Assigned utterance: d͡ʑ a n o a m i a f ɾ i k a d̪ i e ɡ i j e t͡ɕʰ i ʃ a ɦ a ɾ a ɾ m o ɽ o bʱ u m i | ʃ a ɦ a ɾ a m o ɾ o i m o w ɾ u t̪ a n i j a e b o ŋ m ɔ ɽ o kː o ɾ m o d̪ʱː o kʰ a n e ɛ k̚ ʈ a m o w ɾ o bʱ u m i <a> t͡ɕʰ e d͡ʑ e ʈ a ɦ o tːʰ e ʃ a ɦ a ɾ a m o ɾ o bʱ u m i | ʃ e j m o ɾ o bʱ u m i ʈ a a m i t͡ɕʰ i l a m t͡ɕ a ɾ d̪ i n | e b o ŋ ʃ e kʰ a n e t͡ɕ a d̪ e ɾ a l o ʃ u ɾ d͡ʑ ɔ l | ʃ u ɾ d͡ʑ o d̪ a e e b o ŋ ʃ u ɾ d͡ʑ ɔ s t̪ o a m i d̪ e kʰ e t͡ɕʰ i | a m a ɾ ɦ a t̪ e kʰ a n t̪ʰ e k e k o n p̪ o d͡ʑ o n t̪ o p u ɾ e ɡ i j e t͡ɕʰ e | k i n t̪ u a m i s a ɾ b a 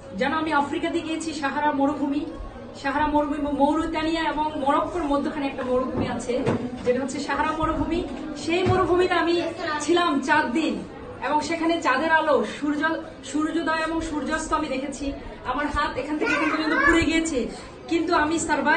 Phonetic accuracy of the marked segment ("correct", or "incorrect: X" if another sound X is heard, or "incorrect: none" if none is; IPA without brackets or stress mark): correct